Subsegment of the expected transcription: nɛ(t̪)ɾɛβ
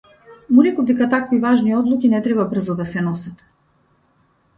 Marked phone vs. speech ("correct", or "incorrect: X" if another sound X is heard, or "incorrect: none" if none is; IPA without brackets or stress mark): correct